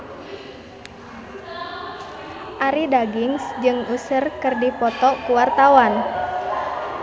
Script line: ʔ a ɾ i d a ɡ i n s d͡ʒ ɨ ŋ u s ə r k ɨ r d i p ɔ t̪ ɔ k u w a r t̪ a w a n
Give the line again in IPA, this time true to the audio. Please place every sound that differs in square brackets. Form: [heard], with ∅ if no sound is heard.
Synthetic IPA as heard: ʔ a ɾ i d a ɡ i [ŋ] s d͡ʒ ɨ ŋ u s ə r k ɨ r d i p ɔ t̪ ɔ k u w a r t̪ a w a n